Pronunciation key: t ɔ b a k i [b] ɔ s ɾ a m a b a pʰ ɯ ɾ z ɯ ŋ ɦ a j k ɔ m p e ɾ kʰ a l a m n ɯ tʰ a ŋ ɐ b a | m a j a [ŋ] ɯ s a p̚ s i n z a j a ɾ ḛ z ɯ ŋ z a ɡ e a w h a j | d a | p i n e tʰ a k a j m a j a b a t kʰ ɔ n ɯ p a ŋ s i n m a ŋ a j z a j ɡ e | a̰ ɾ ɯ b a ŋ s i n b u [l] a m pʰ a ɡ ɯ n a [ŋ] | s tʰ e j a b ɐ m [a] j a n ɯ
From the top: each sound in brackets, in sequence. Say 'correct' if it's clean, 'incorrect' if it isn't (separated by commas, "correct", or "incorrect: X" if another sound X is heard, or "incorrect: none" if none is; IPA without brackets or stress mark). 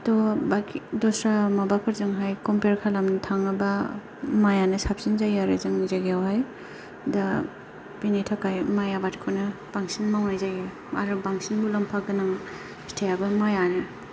incorrect: d, incorrect: n, correct, correct, correct